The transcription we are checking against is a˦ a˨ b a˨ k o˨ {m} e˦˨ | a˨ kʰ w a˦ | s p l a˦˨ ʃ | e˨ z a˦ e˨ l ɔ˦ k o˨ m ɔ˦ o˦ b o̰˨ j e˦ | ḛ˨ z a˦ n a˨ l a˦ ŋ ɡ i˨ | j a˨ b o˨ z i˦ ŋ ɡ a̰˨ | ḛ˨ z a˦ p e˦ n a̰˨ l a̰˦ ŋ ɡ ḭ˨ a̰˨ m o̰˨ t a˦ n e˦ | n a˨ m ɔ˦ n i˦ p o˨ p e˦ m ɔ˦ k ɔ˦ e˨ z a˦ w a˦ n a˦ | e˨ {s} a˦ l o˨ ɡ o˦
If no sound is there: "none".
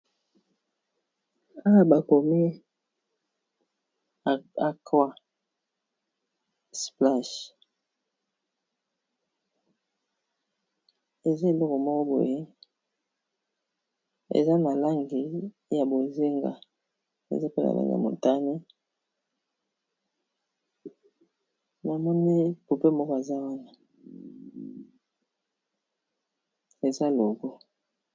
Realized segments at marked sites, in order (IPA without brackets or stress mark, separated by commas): m, z